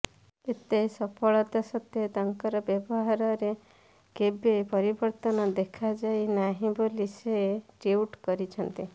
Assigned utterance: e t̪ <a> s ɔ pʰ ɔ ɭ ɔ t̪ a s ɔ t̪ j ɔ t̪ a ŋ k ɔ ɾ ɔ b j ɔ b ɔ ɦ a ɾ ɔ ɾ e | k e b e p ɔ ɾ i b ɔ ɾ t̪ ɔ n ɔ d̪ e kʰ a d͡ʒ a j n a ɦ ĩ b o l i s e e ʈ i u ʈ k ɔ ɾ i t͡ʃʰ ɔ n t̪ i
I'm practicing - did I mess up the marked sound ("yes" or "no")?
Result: yes